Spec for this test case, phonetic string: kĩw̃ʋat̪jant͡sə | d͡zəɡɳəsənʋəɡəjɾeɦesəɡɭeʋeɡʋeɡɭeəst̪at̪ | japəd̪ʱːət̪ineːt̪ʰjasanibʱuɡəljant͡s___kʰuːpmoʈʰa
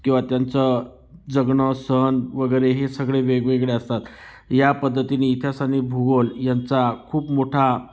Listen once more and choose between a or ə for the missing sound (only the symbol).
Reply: a